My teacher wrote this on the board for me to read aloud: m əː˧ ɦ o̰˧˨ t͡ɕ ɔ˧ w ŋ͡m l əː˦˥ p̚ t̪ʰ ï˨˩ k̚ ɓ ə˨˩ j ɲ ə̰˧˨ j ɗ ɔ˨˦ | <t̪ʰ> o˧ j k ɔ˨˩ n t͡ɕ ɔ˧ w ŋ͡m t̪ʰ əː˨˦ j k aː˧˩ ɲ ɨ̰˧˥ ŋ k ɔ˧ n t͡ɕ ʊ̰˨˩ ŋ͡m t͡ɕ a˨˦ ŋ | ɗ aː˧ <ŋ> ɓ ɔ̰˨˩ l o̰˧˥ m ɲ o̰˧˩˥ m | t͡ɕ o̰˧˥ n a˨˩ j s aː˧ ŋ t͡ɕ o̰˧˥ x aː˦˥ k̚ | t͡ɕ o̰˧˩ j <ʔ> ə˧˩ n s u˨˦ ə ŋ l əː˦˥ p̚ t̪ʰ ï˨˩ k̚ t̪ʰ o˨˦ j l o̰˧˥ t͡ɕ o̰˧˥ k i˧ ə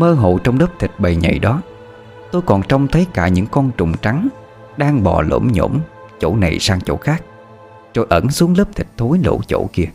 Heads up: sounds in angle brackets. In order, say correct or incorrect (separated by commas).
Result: incorrect, correct, correct